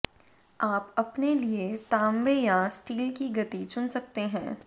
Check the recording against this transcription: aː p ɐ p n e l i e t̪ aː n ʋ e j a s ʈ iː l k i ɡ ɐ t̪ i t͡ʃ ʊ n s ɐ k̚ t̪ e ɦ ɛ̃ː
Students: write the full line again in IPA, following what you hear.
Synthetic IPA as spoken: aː p ɐ p n e l i e t̪ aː m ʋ e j a s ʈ iː l k i ɡ ɐ t̪ i t͡ʃ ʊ n s ɐ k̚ t̪ e ɦ ɛ̃ː